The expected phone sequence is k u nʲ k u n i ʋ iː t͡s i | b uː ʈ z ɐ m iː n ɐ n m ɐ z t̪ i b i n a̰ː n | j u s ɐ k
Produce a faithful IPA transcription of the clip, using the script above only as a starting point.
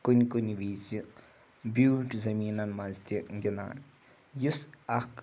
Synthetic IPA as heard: k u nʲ k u n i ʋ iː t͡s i | b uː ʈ z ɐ m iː n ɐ n m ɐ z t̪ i ɡ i n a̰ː n | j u s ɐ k